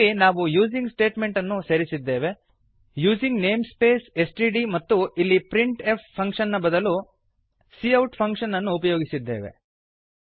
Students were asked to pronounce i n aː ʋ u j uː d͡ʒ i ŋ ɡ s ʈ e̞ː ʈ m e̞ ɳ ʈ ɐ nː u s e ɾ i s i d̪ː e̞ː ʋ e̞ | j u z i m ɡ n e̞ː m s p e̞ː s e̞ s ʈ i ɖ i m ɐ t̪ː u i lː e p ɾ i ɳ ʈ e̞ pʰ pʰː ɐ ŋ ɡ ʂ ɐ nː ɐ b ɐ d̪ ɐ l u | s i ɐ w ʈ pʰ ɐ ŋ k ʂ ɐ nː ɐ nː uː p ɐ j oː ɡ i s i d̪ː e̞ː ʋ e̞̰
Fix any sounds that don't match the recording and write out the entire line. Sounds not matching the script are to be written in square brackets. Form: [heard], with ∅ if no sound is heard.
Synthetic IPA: i n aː ʋ u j uː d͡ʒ i ŋ ɡ s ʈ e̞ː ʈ m e̞ ɳ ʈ ɐ nː u s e ɾ i s i d̪ː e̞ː ʋ e̞ | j [uː] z i [ŋ] ɡ n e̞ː m s p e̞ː s e̞ s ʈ i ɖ i m ɐ t̪ː u i lː [i] p ɾ i ɳ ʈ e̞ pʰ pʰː ɐ ŋ [k] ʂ ɐ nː ɐ b ɐ d̪ ɐ l u | s i ɐ w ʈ pʰ ɐ ŋ k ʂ ɐ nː ɐ nː uː p ɐ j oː ɡ i s i d̪ː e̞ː ʋ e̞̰